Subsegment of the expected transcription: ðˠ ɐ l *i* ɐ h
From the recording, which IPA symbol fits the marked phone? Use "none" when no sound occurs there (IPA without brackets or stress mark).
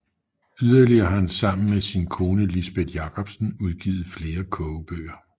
i